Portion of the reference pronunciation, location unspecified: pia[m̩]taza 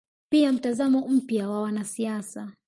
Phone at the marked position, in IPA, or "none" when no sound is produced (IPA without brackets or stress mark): m̩